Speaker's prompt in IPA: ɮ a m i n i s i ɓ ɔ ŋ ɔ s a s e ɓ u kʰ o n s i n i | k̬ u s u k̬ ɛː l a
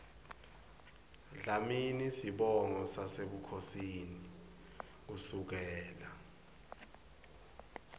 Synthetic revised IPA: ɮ a m i n i s i ɓ ɔ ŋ ɔ s a s e ɓ u kʰ o s i n i | k̬ u s u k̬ ɛː l a